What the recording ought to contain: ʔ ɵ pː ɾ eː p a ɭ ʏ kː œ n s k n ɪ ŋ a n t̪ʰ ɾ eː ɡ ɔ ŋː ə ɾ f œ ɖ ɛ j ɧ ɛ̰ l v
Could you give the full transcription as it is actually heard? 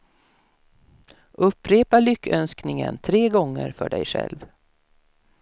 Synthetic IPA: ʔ ɵ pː ɾ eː p a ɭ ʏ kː œ n s k n ɪ ŋ ə n t̪ʰ ɾ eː ɡ ɔ ŋː ə ɾ f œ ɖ ɛ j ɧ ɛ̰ l v